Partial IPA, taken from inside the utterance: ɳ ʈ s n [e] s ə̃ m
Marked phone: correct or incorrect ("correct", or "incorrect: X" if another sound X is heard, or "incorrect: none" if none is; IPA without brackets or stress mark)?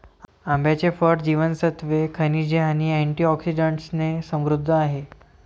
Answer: correct